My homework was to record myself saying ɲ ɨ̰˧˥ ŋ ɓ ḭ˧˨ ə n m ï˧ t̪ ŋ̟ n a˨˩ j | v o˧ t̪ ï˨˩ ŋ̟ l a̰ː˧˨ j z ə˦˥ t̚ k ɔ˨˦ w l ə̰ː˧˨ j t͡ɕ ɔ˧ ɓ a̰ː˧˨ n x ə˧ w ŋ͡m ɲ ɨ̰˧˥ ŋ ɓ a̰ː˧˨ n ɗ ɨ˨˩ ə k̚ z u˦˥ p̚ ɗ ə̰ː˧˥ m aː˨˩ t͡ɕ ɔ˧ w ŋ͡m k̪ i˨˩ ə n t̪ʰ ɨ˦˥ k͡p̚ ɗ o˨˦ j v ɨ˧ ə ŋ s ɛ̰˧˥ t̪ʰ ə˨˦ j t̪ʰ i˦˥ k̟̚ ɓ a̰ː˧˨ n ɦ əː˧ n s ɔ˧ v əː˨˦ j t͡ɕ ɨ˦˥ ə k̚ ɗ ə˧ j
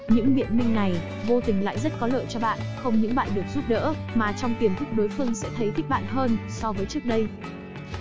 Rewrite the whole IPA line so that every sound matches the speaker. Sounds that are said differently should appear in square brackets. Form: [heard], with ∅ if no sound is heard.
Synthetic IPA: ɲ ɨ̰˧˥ ŋ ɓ ḭ˧˨ ə n m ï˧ [∅] ŋ̟ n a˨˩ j | v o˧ t̪ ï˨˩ ŋ̟ l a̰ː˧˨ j z ə˦˥ t̚ k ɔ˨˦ [∅] l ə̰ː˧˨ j t͡ɕ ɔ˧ ɓ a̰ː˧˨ n x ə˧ w ŋ͡m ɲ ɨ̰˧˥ ŋ ɓ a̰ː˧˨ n ɗ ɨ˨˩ ə k̚ z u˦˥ p̚ ɗ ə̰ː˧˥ m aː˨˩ t͡ɕ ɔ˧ w ŋ͡m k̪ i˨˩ ə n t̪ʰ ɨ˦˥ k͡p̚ ɗ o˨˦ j [f] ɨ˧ ə ŋ s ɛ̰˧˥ t̪ʰ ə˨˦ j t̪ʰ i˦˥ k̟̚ ɓ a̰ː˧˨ n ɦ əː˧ n s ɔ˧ v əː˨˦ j t͡ɕ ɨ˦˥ ə k̚ ɗ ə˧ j